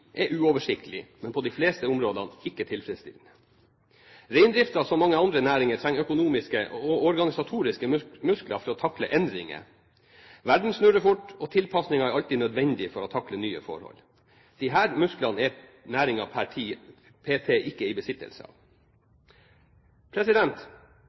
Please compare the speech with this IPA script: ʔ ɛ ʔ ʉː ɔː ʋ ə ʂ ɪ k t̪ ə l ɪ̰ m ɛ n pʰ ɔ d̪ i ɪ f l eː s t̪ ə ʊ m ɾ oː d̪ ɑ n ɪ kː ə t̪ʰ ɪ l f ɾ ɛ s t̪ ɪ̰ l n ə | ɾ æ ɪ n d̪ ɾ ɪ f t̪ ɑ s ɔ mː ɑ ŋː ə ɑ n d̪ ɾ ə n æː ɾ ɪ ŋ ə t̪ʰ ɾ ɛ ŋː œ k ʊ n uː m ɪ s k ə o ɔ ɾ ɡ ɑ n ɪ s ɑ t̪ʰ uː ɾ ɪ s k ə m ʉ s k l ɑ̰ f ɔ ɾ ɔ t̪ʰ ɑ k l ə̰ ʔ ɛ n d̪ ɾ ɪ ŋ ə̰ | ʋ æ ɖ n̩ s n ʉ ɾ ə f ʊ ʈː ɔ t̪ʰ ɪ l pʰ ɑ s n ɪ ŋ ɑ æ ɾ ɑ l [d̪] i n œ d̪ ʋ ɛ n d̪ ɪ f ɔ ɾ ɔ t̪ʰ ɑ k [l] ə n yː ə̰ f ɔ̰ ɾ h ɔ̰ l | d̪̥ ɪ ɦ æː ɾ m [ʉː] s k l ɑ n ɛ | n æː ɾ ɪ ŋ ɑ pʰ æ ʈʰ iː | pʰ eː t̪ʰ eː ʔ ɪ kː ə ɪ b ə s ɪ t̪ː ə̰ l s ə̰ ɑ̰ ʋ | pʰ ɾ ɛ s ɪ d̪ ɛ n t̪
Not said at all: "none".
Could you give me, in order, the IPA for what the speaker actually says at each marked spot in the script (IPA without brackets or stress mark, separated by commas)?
t̪, l, ʉ